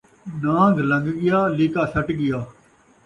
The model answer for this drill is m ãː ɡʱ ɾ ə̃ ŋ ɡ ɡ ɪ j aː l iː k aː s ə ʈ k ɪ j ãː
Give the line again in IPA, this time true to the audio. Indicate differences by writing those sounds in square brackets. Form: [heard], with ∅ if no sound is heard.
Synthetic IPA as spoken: [n] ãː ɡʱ [l] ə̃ ŋ ɡ ɡ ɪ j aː l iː k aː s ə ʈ [ɡ] ɪ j [aː]